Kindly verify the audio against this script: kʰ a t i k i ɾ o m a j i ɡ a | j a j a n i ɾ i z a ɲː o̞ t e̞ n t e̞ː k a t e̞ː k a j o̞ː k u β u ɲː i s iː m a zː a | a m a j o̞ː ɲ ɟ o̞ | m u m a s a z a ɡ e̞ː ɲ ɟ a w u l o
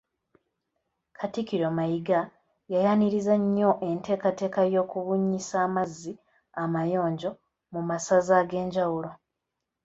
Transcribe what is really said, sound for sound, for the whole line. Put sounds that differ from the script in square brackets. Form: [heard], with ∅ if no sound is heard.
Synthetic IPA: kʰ a t i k i ɾ o m a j i ɡ a | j a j a n i ɾ i z a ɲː o̞ [ʔ] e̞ n t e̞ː k a t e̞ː k a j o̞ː k u β u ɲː i s [aː] m a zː [i] | a m a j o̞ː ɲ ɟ o̞ | m u m a s a z a ɡ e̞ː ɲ ɟ a w u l o